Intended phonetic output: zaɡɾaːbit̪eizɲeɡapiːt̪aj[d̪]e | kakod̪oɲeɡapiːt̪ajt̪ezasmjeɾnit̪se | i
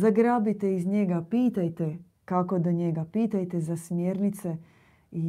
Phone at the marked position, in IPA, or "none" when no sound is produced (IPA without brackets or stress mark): t̪